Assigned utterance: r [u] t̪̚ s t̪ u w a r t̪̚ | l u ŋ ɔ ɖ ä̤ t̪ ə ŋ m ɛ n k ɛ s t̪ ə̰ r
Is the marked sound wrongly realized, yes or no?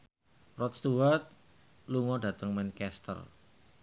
yes